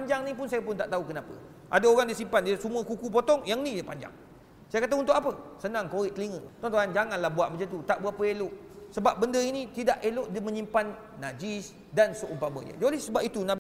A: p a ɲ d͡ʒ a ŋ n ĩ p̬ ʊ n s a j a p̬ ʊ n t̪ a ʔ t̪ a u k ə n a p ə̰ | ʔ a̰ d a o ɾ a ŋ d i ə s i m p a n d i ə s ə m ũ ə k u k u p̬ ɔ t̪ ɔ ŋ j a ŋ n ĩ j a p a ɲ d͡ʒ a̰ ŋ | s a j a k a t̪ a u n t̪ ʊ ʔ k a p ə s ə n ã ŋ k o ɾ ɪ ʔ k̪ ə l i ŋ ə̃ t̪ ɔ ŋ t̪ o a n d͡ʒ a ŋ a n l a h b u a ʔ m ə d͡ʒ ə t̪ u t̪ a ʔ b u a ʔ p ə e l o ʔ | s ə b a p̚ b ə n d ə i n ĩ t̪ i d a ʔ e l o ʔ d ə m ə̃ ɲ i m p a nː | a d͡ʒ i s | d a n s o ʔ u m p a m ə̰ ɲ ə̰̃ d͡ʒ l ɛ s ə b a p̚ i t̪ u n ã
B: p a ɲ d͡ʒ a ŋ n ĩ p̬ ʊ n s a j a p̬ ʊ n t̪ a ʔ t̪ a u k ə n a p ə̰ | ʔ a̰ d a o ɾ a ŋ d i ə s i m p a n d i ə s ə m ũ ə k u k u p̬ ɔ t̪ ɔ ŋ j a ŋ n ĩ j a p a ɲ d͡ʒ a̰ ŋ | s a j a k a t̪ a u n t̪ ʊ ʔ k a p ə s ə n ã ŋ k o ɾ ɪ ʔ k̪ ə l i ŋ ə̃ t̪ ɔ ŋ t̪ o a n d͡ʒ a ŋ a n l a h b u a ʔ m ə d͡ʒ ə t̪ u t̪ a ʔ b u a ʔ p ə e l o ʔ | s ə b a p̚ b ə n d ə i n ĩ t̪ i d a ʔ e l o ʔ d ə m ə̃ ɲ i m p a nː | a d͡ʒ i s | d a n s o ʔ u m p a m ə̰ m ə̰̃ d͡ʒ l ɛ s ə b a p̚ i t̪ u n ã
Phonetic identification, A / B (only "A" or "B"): A